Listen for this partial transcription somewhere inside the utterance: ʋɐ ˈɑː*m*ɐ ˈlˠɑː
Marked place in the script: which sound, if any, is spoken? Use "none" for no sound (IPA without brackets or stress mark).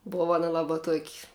n